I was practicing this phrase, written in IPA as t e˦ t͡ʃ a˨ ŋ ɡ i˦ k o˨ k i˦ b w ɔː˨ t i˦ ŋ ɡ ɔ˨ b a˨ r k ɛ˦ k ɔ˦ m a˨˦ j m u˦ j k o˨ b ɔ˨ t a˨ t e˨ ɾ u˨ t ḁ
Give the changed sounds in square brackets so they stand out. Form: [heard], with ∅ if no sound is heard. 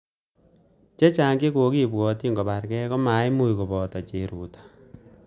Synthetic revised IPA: [t͡ʃ] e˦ t͡ʃ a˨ ŋ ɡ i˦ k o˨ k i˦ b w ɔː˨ t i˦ ŋ ɡ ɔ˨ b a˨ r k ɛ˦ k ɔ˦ m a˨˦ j m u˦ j k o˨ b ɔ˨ t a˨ [t͡ʃ] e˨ ɾ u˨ t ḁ